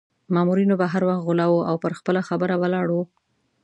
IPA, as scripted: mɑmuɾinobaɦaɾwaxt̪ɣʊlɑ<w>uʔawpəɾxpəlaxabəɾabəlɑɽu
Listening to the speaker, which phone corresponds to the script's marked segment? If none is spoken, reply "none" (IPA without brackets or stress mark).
w